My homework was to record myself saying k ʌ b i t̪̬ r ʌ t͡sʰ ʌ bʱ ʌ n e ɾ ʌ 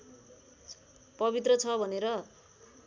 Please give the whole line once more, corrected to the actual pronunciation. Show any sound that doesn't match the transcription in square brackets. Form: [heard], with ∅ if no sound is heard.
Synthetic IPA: [p] ʌ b i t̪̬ r ʌ t͡sʰ ʌ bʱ ʌ n e ɾ ʌ

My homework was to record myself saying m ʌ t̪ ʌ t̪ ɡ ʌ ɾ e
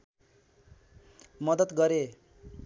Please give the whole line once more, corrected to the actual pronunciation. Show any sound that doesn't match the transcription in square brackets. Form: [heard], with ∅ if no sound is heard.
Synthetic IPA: m ʌ [d̪] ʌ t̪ ɡ ʌ ɾ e

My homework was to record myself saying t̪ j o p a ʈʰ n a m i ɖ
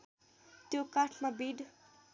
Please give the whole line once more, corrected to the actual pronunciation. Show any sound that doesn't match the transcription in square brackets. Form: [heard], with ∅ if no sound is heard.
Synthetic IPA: t̪ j o [k] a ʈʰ [m] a [b] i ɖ

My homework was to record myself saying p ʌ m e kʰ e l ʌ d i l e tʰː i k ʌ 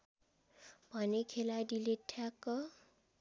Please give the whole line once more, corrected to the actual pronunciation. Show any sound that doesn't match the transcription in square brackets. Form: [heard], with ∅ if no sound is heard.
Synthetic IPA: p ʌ [n] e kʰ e l [a] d i l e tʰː [a] k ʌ

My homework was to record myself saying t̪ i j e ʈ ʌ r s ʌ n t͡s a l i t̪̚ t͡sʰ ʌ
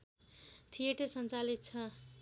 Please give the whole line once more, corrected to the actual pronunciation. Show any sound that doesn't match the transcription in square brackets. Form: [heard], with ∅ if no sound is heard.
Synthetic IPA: [t̪ʰ] i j e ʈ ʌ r s ʌ n t͡s a l i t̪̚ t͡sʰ ʌ

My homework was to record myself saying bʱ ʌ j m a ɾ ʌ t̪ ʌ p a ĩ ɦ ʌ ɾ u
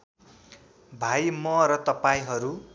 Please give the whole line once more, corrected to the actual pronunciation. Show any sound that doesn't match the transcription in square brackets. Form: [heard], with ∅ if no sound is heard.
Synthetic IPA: bʱ [a] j m [ʌ] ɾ ʌ t̪ ʌ p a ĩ ɦ ʌ ɾ u

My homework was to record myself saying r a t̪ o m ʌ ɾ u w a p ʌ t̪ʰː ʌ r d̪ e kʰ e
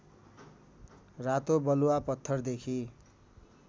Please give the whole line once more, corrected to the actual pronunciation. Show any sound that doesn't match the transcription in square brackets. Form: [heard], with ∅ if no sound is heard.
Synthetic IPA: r a t̪ o [b] ʌ [l] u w a p ʌ t̪ʰː ʌ r d̪ e kʰ [i]

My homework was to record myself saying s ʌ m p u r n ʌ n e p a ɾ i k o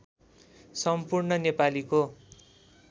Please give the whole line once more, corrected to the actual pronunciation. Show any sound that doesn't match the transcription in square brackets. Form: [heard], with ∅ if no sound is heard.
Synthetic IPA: s ʌ m p u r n ʌ n e p a [l] i k o

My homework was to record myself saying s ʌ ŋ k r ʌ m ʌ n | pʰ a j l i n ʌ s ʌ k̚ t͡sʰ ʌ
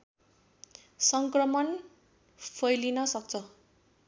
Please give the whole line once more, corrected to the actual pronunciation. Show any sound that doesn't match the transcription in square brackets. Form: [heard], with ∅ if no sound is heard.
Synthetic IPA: s ʌ ŋ k r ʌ m ʌ n | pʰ [ʌ] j l i n ʌ s ʌ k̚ t͡sʰ ʌ

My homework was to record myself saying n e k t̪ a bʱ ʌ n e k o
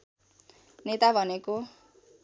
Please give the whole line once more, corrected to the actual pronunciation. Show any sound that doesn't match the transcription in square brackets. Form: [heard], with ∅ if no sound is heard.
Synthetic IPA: n e [∅] t̪ a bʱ ʌ n e k o

